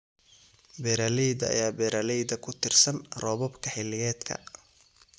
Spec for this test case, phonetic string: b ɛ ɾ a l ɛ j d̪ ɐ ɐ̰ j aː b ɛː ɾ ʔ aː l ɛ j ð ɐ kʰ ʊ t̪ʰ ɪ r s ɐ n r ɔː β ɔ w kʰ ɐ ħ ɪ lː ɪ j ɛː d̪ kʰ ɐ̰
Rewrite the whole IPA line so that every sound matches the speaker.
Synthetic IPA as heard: b ɛ ɾ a l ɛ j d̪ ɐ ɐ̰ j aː b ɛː ɾ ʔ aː l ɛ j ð ɐ kʰ ʊ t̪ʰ ɪ r s ɐ n r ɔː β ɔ b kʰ ɐ ħ ɪ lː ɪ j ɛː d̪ kʰ ɐ̰